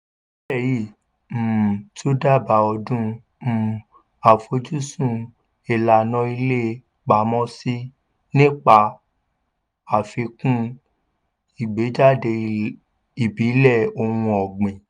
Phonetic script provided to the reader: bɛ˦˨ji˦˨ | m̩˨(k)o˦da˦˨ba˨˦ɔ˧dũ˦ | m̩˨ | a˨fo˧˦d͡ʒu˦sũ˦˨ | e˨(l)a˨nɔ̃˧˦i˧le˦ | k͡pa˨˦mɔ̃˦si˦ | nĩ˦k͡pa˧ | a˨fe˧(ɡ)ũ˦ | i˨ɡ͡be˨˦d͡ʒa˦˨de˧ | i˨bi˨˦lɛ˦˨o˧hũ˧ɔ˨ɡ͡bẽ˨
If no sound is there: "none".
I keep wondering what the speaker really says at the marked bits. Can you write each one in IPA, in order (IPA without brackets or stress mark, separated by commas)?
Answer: t, l, k